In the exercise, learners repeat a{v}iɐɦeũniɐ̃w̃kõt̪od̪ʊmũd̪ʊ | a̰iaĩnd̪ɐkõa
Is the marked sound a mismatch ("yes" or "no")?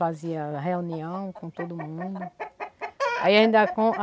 yes